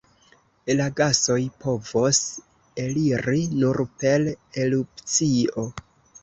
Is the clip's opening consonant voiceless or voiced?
voiced